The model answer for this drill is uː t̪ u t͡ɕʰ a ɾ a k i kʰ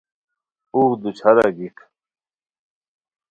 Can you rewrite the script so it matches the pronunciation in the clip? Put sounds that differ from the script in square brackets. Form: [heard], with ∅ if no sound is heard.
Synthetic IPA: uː [d̪] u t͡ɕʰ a ɾ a [ɡ] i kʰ